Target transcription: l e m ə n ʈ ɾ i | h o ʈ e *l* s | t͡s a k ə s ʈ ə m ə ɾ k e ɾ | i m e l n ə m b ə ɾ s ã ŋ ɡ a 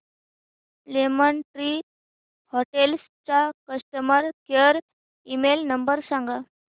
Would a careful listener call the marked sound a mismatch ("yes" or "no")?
no